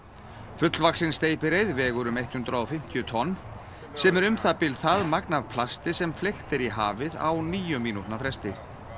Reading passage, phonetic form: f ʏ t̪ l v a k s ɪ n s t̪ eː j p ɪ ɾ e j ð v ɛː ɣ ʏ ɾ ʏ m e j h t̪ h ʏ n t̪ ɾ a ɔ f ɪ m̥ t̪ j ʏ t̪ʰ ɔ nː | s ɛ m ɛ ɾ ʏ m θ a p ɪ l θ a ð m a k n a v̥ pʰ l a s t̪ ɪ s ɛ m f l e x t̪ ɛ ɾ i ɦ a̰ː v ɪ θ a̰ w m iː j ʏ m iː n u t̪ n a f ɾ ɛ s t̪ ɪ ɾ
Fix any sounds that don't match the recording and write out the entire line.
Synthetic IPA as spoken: f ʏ t̪ l v a k s ɪ n s t̪ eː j p ɪ ɾ e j ð v ɛː ɣ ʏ ɾ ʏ m e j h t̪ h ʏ n t̪ ɾ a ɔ f ɪ m̥ t̪ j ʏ t̪ʰ ɔ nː | s ɛ m ɛ ɾ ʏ m θ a p ɪ l θ a ð m a k n a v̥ pʰ l a s t̪ ɪ s ɛ m f l e x t̪ ɛ ɾ i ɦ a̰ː v ɪ ð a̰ w n iː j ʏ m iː n u t̪ n a f ɾ ɛ s t̪ ɪ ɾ